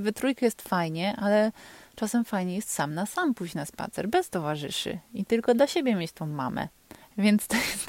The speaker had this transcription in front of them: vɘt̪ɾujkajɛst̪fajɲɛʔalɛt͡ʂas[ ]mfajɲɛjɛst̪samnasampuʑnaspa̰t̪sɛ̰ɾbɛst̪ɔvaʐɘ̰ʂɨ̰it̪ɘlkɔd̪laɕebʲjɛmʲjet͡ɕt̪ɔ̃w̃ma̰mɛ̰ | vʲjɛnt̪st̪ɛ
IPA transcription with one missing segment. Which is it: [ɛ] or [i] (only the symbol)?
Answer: ɛ